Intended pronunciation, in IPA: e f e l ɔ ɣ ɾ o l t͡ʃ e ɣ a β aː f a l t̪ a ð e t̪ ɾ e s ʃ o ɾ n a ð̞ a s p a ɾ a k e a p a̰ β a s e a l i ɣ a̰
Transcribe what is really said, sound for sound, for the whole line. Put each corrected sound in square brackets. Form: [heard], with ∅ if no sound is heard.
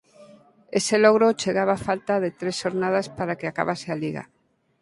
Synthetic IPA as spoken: e [s] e l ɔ ɣ ɾ o [∅] t͡ʃ e ɣ a β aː f a l t̪ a ð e t̪ ɾ e s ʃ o ɾ n a ð̞ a s p a ɾ a k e a [k] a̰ β a s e a l i ɣ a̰